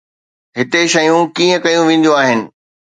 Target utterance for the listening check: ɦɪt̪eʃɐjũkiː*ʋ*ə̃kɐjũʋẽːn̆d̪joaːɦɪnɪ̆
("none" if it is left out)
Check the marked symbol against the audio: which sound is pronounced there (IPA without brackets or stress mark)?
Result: none